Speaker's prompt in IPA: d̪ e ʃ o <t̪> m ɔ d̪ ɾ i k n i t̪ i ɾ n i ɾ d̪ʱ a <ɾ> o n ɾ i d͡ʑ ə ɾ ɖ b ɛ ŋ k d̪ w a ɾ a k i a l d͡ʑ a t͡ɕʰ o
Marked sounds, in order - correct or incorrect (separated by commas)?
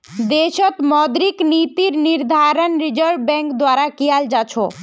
correct, correct